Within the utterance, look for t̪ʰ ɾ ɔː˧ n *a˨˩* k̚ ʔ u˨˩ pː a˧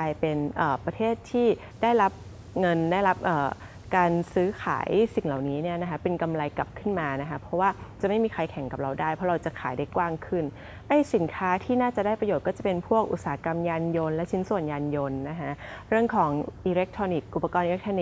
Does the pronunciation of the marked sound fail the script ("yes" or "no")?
yes